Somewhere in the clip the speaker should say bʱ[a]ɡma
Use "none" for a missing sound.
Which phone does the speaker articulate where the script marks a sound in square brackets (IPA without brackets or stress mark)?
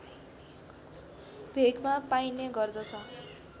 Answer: e